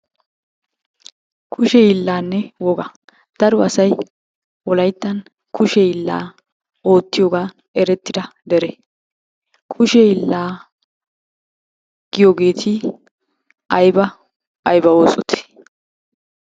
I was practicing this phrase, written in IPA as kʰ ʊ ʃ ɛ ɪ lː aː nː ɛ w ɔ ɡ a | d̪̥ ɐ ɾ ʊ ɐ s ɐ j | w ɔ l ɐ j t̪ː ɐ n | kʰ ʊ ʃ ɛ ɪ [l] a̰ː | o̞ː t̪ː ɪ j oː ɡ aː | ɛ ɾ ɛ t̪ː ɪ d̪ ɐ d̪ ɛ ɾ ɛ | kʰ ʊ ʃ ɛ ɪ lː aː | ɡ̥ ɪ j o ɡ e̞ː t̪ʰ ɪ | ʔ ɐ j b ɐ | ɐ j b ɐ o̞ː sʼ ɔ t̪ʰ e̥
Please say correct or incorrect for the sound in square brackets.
incorrect